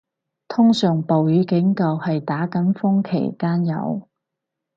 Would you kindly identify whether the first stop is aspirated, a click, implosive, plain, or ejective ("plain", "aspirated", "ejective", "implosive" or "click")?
aspirated